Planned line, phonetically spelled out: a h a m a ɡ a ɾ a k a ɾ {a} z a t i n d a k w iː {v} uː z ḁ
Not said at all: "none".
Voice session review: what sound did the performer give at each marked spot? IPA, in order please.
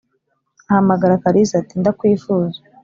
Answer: i, f

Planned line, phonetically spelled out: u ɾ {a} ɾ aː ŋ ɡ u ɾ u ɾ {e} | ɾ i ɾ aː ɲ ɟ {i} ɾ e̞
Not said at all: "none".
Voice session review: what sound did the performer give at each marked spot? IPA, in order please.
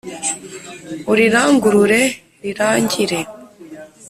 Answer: i, e, i

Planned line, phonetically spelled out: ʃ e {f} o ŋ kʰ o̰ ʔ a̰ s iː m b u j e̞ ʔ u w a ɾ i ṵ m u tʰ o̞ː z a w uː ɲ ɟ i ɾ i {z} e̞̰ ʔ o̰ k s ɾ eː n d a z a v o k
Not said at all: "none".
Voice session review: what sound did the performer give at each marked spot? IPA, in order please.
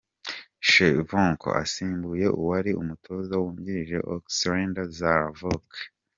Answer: v, ʒ

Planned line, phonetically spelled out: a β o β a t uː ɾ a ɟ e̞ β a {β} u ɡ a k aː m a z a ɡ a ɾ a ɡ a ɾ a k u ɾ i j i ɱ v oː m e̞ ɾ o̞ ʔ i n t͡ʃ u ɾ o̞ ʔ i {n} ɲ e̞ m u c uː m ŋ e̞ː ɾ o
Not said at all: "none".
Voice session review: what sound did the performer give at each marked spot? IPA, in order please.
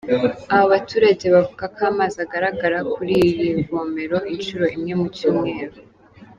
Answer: v, m

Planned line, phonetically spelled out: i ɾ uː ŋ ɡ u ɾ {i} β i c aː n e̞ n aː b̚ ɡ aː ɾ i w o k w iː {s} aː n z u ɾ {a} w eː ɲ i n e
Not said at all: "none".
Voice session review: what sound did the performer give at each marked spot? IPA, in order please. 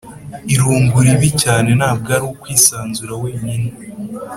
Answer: i, s, a

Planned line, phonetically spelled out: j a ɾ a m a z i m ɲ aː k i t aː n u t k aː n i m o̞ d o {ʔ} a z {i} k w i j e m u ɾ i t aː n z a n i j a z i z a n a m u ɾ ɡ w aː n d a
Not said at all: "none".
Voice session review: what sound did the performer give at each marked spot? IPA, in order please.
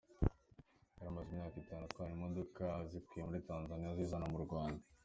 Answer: k, i

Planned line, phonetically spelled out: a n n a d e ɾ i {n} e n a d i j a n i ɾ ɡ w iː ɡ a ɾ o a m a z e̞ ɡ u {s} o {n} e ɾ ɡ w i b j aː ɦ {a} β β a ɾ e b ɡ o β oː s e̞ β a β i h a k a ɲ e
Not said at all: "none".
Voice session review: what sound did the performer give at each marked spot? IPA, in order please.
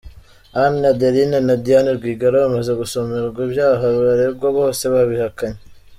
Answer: n, s, m, a

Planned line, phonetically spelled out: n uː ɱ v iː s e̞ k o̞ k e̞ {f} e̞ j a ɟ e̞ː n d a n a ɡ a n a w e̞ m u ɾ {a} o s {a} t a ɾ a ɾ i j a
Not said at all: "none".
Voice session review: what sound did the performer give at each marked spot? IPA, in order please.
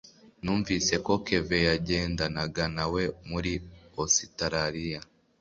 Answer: v, i, i

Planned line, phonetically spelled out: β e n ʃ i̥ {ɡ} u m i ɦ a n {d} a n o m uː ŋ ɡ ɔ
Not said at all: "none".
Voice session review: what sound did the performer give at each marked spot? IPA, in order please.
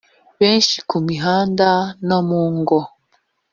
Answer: k, d

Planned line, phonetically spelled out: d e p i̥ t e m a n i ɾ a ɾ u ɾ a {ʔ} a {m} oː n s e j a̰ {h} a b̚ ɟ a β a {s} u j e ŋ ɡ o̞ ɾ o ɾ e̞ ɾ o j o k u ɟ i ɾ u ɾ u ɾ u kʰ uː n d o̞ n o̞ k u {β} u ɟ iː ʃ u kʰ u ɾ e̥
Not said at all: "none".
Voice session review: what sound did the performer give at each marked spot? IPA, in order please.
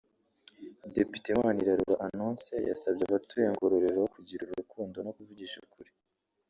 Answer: ʔ, n, s, t, v

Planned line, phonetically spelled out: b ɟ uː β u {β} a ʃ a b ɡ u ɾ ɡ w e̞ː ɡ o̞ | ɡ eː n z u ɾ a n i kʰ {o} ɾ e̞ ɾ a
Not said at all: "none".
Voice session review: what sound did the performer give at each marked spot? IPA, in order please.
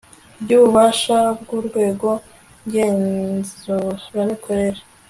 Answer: β, o

